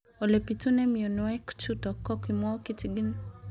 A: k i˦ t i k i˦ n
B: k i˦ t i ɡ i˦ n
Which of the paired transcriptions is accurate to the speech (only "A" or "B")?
B